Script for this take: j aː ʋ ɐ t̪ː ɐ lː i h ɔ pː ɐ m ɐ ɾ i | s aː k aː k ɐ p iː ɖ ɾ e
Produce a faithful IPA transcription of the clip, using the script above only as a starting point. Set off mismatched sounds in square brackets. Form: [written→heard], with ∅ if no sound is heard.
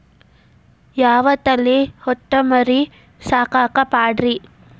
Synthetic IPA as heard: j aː ʋ ɐ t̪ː ɐ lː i h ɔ [pː→ʈː] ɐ m ɐ ɾ i | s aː k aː k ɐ p [iː→aː] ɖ ɾ [e→i]